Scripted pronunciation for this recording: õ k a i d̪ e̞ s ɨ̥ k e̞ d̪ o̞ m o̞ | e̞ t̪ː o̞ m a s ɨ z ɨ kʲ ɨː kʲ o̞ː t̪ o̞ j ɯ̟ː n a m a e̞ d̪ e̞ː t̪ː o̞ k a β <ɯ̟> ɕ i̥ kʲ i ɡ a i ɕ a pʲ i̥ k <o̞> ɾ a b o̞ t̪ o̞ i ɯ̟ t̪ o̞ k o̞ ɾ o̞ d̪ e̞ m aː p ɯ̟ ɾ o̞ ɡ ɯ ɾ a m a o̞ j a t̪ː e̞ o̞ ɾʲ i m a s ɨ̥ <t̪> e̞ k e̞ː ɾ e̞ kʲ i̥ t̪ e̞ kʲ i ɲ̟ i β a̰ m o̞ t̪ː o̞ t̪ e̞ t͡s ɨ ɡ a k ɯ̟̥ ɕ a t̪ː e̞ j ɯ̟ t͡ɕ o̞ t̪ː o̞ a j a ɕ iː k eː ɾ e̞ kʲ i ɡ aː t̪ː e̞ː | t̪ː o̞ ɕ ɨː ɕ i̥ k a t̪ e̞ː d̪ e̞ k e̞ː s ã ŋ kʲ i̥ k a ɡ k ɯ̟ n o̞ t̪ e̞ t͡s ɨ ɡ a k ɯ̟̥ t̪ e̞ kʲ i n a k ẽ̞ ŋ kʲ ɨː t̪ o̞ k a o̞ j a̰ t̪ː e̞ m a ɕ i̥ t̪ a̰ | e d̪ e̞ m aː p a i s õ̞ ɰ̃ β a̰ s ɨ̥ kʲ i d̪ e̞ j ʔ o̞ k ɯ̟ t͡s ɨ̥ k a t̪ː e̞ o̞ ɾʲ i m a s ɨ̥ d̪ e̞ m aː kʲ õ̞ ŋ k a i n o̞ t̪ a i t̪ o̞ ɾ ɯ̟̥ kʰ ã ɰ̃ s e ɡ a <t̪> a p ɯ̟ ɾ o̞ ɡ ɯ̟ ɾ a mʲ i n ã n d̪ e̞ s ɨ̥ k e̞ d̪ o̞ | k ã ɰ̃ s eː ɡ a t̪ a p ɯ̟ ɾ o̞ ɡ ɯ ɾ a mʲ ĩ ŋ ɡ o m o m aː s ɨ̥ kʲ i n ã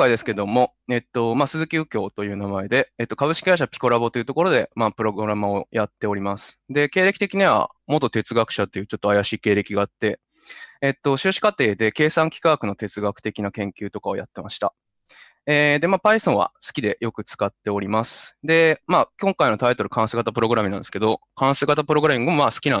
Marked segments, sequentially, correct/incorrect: correct, correct, incorrect: d̪, correct

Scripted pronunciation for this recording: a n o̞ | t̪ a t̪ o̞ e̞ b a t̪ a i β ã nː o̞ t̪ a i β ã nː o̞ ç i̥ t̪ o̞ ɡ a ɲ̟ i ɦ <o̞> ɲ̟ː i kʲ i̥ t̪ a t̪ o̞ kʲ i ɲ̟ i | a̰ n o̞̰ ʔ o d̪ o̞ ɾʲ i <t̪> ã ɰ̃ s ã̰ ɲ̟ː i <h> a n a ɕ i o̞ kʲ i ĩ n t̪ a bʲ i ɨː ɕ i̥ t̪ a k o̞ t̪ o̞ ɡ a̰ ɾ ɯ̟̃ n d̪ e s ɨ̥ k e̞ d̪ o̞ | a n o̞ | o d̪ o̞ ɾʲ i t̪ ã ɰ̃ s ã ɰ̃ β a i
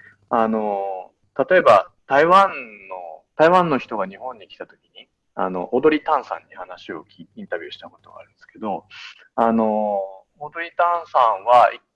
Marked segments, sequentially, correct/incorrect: incorrect: õ̞, correct, correct

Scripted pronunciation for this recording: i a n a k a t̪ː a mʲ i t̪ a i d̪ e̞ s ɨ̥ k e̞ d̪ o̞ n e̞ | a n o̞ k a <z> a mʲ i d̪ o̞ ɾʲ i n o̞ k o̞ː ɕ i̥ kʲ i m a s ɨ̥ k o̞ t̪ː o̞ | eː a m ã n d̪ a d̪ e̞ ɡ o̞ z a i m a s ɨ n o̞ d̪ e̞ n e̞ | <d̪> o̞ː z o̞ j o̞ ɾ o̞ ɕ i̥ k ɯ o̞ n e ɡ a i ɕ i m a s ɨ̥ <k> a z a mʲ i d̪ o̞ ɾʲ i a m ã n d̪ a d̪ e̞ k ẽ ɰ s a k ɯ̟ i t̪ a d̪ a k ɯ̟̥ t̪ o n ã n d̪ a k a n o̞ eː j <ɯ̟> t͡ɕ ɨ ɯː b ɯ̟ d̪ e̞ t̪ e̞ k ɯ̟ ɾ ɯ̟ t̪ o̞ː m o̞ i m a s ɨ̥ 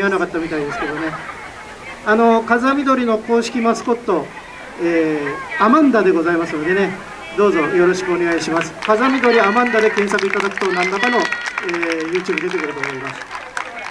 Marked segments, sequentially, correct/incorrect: correct, correct, correct, incorrect: ɯ̟ː

